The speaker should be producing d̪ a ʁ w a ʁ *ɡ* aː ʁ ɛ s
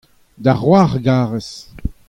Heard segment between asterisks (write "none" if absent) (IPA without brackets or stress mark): ɡ